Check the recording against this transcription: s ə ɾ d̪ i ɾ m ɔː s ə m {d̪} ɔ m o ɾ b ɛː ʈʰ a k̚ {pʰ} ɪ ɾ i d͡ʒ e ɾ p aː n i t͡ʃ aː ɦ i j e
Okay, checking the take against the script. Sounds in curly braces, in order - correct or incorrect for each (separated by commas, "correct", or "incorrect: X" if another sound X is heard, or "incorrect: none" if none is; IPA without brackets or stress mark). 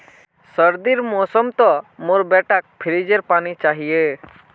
incorrect: t̪, correct